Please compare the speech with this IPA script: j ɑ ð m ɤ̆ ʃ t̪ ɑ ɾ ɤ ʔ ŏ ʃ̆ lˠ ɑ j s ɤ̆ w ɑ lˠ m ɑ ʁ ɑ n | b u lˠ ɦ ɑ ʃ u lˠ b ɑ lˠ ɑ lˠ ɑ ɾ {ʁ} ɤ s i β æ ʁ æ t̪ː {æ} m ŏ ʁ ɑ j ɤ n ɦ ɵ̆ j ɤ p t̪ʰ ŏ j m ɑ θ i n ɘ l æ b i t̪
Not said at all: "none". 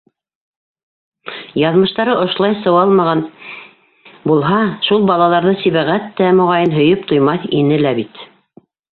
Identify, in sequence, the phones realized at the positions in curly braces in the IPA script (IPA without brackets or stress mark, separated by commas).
ð, æ